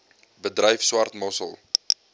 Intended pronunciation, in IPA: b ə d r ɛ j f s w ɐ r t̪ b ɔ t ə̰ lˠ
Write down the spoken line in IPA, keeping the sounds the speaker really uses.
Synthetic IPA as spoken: b ə d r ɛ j f s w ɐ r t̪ m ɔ s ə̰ lˠ